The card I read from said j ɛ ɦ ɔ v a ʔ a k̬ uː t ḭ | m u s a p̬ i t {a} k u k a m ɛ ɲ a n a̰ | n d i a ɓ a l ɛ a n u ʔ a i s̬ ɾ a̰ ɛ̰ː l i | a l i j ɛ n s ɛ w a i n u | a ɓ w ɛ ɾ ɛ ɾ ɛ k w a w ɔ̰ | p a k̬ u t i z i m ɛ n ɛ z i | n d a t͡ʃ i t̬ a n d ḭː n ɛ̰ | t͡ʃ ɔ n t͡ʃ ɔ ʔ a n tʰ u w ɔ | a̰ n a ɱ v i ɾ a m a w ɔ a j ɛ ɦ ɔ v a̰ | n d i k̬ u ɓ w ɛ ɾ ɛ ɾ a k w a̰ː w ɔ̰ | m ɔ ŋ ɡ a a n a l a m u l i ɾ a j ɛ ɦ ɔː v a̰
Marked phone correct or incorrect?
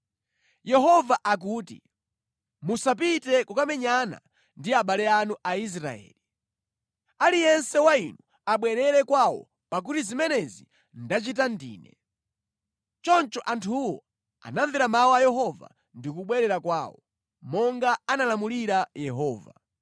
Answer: incorrect